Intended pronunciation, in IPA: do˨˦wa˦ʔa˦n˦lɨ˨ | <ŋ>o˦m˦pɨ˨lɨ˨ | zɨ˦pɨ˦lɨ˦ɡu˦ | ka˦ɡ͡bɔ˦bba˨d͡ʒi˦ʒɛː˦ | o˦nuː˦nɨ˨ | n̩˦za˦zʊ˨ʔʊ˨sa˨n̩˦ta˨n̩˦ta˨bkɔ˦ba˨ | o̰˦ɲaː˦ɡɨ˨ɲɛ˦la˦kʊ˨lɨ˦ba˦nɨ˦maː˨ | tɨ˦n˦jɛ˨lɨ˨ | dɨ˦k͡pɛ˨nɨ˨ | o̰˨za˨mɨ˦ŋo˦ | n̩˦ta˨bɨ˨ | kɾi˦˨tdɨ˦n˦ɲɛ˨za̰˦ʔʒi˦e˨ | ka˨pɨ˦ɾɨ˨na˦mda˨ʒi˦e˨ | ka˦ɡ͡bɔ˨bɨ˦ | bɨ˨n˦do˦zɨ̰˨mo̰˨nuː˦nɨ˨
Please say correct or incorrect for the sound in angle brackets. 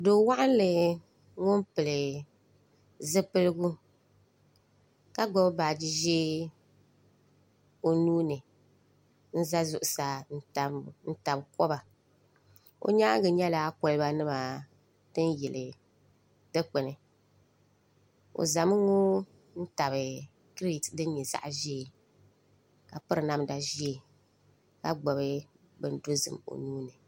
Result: correct